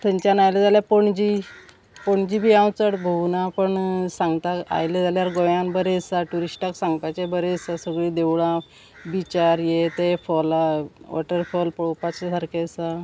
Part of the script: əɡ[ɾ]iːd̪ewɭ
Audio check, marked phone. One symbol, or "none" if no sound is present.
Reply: ɭ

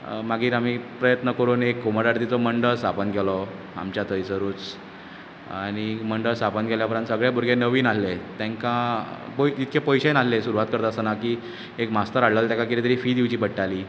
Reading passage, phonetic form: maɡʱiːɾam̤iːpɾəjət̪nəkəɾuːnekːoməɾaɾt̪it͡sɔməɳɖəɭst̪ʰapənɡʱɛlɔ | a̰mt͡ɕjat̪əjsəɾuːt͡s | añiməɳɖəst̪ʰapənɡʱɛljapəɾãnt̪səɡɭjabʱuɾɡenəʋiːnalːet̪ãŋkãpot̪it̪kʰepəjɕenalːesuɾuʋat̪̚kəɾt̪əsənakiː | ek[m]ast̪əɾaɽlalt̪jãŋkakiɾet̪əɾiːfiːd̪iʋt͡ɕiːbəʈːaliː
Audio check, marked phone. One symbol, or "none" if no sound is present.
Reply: m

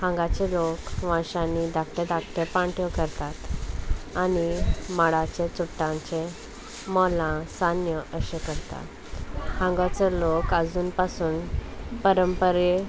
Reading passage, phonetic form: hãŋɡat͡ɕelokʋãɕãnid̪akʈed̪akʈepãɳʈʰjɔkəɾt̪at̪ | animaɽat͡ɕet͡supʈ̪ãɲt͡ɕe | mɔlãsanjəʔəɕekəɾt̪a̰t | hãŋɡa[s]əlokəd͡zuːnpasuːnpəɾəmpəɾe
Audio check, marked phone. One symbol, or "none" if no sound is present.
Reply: t͡s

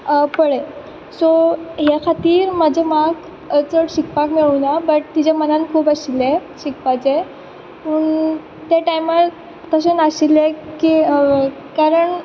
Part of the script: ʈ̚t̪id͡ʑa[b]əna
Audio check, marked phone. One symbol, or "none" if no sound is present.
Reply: m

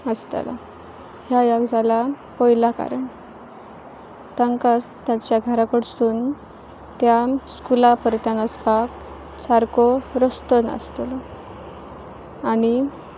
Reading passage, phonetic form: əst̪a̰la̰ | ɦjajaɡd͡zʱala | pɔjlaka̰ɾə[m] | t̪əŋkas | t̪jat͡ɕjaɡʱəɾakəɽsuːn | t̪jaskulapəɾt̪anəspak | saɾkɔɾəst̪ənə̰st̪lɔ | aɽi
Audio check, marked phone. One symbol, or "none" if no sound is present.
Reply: ɳ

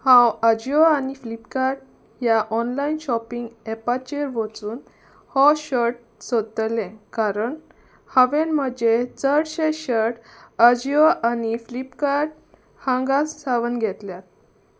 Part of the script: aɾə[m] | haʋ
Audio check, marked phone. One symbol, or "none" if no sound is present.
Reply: ɳ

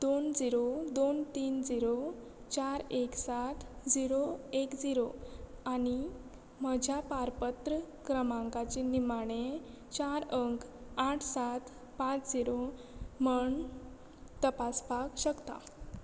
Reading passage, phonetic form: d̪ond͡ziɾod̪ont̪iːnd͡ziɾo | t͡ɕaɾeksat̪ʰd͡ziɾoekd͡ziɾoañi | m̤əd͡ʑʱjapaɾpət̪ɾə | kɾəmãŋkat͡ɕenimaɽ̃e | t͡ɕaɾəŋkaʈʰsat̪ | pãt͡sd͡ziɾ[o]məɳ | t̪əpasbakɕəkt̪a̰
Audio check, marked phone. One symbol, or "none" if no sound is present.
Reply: o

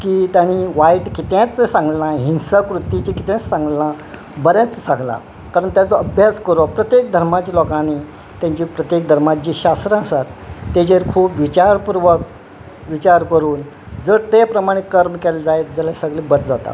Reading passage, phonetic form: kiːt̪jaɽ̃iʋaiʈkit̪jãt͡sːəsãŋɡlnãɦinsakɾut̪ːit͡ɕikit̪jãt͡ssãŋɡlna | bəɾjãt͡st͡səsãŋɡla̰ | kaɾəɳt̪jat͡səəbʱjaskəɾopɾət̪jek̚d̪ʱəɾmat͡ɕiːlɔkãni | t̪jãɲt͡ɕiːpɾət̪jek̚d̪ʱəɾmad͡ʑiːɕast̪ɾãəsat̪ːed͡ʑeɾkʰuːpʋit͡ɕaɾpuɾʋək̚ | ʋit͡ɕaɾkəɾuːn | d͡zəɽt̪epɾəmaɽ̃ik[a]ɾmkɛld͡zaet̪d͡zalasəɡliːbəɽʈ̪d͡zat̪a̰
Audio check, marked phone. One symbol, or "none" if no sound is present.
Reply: ə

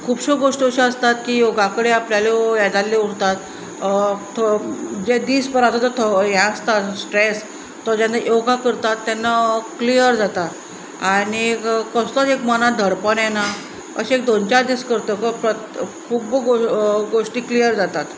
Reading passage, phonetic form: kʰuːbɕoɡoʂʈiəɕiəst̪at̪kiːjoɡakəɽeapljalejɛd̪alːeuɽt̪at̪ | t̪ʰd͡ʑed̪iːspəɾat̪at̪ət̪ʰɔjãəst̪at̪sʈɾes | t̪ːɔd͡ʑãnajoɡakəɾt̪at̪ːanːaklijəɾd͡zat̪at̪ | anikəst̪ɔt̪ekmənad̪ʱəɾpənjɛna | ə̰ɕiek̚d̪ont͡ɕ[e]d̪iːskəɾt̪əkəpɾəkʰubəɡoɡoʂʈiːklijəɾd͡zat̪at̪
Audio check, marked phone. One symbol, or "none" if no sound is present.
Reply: a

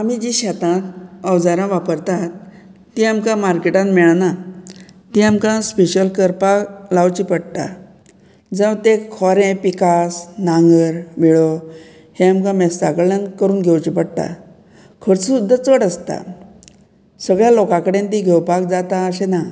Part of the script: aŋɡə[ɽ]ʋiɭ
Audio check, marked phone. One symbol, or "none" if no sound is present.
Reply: ɾ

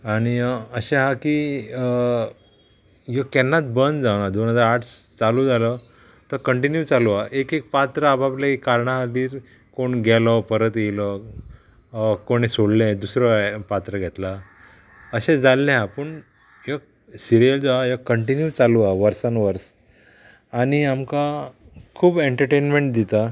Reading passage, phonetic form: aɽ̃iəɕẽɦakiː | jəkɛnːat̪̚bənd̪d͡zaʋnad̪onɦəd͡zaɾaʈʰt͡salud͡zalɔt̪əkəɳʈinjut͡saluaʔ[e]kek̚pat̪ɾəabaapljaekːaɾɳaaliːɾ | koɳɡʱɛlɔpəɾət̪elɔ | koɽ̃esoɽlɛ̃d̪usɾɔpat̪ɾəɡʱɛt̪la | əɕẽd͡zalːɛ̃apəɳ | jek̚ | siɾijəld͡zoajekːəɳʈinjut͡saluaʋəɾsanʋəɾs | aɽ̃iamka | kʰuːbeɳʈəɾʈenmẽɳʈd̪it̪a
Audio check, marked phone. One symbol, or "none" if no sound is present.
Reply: e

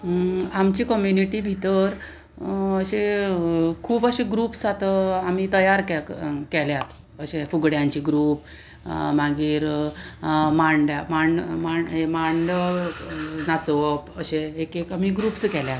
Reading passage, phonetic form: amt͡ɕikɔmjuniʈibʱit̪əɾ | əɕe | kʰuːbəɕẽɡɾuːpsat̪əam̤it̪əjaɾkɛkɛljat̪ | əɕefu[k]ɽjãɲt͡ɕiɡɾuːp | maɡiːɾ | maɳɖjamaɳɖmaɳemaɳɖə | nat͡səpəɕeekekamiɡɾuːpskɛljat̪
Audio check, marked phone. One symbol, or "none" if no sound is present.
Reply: ɡ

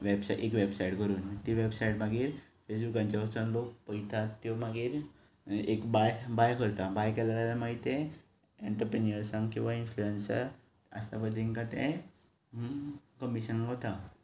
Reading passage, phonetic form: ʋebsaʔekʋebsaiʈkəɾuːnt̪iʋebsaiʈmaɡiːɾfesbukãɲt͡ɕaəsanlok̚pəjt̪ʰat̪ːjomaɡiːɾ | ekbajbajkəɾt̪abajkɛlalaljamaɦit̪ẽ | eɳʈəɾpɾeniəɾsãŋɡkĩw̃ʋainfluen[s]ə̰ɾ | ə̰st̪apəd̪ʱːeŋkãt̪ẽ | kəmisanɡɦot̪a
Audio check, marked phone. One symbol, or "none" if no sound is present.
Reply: s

